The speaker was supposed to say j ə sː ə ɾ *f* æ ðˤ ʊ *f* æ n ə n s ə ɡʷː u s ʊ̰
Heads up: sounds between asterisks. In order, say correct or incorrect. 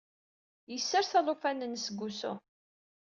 incorrect, correct

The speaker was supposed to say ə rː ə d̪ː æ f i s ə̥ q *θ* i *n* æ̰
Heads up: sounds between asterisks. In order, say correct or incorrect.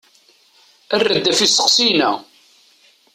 incorrect, correct

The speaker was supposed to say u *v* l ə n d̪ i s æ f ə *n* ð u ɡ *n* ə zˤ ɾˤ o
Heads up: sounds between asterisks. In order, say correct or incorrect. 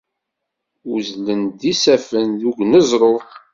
incorrect, correct, correct

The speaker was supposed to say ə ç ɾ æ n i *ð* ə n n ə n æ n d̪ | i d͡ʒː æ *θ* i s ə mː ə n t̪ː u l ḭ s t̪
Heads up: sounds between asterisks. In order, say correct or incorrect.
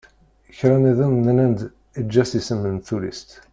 correct, incorrect

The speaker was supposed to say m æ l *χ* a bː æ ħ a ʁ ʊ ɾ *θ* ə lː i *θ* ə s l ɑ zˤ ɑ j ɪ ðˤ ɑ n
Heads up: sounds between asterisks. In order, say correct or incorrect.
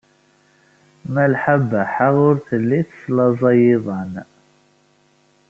incorrect, correct, correct

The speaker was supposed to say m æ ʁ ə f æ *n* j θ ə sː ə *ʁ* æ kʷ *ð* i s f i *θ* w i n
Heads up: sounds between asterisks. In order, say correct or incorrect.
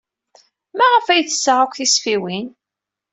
incorrect, correct, incorrect, incorrect

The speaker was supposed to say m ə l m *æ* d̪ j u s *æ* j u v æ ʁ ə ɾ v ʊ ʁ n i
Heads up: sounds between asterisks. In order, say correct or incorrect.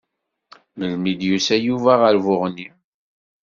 incorrect, correct

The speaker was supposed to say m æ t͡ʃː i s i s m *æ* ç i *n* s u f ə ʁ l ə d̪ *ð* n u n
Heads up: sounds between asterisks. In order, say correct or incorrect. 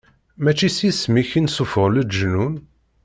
incorrect, correct, incorrect

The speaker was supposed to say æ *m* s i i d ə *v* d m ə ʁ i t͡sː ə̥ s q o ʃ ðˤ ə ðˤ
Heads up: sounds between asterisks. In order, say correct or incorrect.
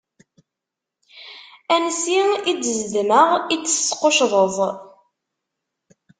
incorrect, incorrect

